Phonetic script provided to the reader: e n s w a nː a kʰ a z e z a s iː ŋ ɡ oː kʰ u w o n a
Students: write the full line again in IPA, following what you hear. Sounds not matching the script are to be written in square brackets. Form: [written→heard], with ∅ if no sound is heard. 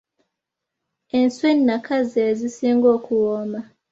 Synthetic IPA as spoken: e n s w [a→e] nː a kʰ a z e z [a→i] s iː ŋ ɡ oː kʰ u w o [n→m] a